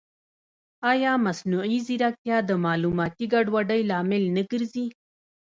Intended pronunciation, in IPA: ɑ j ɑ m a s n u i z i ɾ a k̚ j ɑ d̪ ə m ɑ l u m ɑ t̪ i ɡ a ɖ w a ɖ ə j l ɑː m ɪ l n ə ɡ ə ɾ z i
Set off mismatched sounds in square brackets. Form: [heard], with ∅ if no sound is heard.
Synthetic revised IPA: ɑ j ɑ m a s n u i z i ɾ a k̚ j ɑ d̪ ə m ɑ l u m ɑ t̪ i ɡ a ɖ w a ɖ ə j l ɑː m ɪ l n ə ɡ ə ɾ z i